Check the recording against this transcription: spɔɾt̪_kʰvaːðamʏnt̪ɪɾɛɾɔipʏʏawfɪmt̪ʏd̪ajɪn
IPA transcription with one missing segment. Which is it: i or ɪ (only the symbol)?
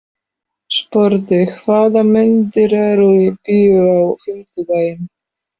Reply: ɪ